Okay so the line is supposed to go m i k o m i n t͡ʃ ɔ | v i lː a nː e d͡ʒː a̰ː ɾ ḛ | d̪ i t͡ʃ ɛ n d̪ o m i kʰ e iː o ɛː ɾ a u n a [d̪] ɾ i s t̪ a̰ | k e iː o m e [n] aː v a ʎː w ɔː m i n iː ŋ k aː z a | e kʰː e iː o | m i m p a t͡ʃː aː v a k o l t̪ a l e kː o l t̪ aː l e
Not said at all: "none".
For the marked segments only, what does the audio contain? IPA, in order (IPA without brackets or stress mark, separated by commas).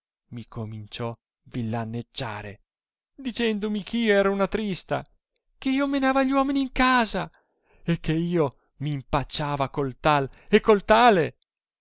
t̪, n